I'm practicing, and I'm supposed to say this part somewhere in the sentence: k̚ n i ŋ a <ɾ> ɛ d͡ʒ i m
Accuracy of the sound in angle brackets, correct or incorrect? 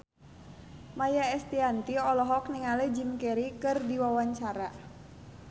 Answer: incorrect